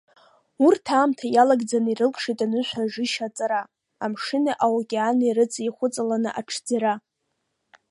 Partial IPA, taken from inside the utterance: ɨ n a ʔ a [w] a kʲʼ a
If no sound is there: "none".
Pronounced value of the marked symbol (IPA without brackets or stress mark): w